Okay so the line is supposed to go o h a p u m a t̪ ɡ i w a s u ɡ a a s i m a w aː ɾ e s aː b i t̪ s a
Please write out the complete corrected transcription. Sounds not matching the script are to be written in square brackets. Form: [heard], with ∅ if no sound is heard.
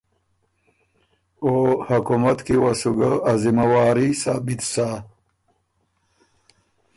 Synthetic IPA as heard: o h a [k] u m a t̪ [k] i w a s u ɡ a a [z] i m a w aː ɾ [i] s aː b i t̪ s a